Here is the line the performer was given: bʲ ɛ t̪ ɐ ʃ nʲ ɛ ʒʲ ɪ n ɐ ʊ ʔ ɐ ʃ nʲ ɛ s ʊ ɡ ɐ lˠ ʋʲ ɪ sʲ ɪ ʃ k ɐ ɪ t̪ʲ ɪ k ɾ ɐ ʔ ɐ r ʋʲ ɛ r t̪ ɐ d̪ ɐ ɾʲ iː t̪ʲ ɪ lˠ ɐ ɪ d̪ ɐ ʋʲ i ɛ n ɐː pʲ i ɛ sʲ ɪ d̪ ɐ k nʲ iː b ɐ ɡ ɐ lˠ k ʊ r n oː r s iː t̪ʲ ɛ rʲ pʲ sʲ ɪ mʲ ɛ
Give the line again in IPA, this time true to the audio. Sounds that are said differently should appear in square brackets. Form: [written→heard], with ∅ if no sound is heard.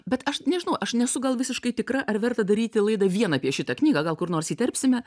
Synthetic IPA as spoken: bʲ ɛ t̪ ɐ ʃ nʲ ɛ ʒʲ ɪ n ɐ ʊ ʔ ɐ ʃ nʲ ɛ s ʊ ɡ ɐ lˠ ʋʲ ɪ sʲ ɪ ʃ k ɐ ɪ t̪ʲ ɪ k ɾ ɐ ʔ ɐ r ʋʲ ɛ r t̪ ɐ d̪ ɐ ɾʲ iː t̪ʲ ɪ lˠ ɐ ɪ d̪ ɐ ʋʲ i ɛ n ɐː pʲ i ɛ [sʲ→ʃʲ] ɪ [d̪→t̪] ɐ k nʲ iː [b→ɡ] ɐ ɡ ɐ lˠ k ʊ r n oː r s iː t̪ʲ ɛ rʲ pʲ sʲ ɪ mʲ ɛ